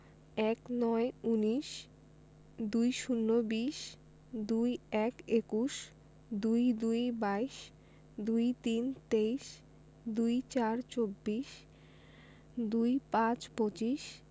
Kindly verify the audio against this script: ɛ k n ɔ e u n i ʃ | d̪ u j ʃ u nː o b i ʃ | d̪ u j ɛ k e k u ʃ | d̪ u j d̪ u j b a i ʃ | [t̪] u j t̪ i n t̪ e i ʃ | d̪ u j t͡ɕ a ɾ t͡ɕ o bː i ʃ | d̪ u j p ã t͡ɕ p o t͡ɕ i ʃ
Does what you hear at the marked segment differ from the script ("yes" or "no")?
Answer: yes